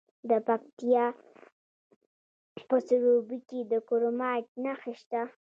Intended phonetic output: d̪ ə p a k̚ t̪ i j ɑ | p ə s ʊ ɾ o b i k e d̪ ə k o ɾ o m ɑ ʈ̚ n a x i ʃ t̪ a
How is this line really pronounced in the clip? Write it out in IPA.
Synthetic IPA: d̪ ə p a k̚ t̪ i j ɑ | p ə s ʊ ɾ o b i k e d̪ ə k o ɾ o m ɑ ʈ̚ n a x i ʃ t̪ a